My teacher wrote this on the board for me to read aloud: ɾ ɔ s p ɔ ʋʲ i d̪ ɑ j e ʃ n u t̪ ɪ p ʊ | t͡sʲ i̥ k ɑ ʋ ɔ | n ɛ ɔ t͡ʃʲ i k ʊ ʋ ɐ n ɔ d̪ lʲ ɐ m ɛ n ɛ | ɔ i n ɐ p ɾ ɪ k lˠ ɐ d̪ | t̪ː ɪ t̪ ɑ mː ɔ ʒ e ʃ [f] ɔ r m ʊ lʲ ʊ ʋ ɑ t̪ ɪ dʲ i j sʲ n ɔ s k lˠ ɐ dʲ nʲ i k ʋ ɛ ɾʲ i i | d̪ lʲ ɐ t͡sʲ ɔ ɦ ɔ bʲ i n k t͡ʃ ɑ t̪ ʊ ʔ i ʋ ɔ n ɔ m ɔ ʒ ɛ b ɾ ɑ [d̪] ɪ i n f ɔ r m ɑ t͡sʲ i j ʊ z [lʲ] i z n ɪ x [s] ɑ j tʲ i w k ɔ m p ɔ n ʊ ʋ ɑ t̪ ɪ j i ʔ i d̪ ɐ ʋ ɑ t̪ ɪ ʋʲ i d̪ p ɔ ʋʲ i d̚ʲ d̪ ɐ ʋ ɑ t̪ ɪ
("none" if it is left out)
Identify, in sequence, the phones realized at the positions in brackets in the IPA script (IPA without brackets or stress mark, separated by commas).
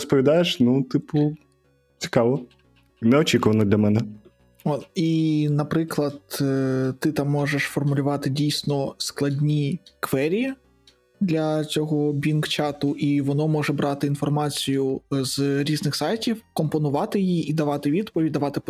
f, t̪, ɾʲ, s